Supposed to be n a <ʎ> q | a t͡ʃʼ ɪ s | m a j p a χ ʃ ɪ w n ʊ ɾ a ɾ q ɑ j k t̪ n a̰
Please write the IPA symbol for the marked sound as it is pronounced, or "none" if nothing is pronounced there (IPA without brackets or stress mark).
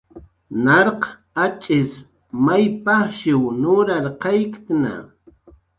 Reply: ɾ